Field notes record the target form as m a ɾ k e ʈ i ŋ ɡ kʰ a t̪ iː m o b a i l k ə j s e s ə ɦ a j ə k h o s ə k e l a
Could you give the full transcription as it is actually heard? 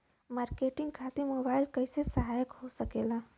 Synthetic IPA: m a ɾ k e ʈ i ŋ ɡ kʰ a t̪ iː m o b a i l k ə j s e s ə ɦ a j ə k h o s ə k e l a